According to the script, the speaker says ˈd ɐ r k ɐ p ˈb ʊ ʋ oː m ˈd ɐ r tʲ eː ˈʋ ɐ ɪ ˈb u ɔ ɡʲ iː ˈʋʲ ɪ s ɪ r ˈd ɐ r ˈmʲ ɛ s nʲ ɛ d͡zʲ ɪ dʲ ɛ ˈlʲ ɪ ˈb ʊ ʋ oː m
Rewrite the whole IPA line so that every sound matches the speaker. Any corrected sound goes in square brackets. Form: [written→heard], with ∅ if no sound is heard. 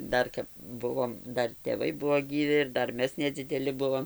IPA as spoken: ˈd ɐ r k ɐ p ˈb ʊ ʋ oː m ˈd ɐ r tʲ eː ˈʋ ɐ ɪ ˈb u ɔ ɡʲ iː ˈʋʲ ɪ [s→∅] ɪ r ˈd ɐ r ˈmʲ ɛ s nʲ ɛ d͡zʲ ɪ dʲ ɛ ˈlʲ ɪ ˈb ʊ ʋ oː m